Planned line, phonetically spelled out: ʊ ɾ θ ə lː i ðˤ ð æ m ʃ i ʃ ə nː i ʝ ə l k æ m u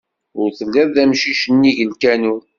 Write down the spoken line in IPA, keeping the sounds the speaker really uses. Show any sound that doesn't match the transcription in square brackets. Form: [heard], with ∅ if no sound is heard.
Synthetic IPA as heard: ʊ ɾ θ ə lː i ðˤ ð æ m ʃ i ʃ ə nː i ʝ ə l k æ [n] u